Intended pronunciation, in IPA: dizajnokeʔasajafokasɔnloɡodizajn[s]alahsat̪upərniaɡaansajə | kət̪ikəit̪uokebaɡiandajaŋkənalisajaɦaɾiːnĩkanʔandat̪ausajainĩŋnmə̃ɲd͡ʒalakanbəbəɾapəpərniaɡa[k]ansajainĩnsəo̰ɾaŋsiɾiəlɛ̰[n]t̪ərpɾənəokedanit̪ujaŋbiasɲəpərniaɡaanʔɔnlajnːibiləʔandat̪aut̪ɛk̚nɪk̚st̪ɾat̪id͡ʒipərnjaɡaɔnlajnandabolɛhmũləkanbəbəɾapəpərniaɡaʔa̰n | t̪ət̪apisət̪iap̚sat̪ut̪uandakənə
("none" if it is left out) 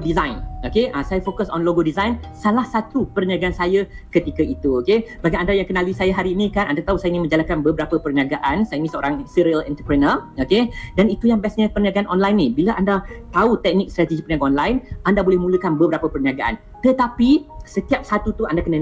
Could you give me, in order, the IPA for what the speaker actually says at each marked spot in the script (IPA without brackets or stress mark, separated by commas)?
s, ʔ, n